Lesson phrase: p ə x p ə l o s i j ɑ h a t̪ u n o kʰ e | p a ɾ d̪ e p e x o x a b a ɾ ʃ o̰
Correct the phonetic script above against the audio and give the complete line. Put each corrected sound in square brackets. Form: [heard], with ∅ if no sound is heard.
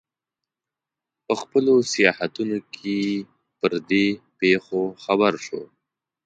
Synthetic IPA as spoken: p ə x p ə l o s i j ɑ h a t̪ u n o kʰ e | p [ə] ɾ d̪ e p e x o x a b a ɾ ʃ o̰